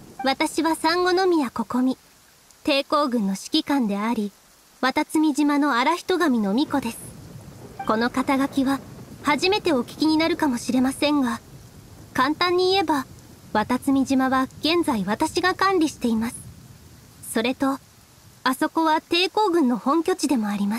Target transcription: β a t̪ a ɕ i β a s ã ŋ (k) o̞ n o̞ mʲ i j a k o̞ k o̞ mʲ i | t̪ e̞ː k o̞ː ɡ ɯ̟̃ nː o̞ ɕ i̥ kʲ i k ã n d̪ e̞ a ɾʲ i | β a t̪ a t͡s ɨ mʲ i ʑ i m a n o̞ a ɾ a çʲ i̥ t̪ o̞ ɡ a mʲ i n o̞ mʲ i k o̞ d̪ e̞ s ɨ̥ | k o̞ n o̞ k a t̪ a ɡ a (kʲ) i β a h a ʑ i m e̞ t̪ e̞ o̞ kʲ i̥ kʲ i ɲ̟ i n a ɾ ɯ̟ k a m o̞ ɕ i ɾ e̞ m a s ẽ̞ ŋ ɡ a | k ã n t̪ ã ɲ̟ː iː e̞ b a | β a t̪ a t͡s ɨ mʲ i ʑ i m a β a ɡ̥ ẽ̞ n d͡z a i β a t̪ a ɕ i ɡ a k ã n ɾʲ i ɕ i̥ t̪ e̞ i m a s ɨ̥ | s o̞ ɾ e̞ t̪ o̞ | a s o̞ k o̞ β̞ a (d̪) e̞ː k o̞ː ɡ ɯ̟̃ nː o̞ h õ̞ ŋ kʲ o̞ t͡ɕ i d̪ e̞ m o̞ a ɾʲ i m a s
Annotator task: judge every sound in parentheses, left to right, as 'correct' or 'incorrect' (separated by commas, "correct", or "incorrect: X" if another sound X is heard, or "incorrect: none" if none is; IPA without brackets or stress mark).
incorrect: ɡ, correct, incorrect: t̪